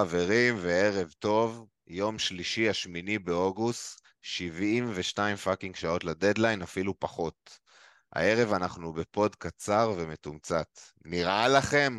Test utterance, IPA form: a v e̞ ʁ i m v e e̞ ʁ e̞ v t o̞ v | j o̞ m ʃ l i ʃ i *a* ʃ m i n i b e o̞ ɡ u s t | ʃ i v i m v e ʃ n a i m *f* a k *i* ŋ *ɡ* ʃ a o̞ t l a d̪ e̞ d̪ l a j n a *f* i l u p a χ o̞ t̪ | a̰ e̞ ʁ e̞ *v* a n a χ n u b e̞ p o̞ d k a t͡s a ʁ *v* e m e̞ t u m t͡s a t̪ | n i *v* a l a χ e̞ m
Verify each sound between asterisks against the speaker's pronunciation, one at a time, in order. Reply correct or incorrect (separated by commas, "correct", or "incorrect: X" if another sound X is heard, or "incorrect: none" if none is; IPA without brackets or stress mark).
correct, correct, correct, correct, correct, correct, correct, incorrect: ʁ